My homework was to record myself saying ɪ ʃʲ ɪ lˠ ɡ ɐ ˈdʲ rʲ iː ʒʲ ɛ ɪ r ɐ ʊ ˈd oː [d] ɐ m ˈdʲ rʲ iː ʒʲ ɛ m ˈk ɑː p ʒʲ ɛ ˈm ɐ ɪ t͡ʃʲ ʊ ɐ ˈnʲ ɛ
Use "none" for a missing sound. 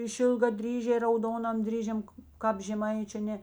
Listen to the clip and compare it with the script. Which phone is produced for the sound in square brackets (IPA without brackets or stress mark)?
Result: n